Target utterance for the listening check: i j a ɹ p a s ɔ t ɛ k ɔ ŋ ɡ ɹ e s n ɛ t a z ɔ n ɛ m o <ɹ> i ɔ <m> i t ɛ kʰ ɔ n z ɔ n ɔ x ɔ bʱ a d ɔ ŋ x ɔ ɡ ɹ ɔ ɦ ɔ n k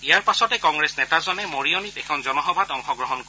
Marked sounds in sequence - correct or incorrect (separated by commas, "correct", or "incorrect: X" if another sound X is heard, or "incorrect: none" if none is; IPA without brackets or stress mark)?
correct, incorrect: n